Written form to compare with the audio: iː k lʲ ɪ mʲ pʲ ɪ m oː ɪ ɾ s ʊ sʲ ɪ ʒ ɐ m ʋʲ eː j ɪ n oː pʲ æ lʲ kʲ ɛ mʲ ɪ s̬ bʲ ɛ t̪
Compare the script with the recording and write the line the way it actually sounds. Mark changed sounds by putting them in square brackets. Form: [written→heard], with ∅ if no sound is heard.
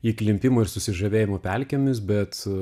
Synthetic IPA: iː k lʲ ɪ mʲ pʲ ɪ m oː ɪ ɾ s ʊ sʲ ɪ ʒ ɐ [m→∅] ʋʲ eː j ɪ [n→m] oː pʲ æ lʲ kʲ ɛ mʲ ɪ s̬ bʲ ɛ t̪